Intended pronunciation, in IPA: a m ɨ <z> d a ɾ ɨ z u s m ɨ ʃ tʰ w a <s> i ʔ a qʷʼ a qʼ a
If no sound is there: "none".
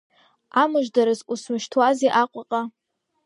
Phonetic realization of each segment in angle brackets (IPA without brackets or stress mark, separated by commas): ʒ, z